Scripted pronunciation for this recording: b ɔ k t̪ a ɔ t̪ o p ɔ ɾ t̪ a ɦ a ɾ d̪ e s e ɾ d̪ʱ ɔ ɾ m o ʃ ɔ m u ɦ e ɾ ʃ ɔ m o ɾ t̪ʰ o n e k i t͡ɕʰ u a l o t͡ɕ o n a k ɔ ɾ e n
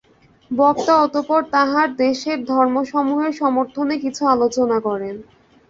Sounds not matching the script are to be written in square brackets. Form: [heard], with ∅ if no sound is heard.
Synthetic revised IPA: b ɔ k t̪ a ɔ t̪ o p ɔ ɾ t̪ a ɦ a ɾ d̪ e [ʃ] e ɾ d̪ʱ ɔ ɾ m o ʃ ɔ m u ɦ e ɾ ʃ ɔ m o ɾ t̪ʰ o n e k i t͡ɕʰ u a l o t͡ɕ o n a k ɔ ɾ e n